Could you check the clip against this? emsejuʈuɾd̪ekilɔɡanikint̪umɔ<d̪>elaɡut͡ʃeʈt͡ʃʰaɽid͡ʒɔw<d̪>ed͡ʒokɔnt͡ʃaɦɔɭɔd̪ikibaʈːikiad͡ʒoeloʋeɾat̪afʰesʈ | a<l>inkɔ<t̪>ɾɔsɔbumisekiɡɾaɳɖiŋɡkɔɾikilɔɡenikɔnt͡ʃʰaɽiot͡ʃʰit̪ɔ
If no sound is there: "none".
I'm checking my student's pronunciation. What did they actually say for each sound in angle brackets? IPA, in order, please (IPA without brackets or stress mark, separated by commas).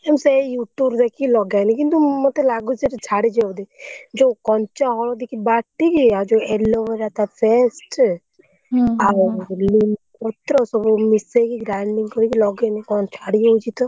t̪, d̪, l, t̪